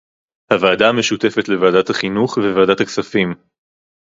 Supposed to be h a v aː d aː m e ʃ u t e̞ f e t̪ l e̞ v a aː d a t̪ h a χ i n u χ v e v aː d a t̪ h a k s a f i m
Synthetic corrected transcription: h a v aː d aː m e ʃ u t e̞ f e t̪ l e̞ v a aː d a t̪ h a χ i n u χ v e v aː d a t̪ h a k s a f i m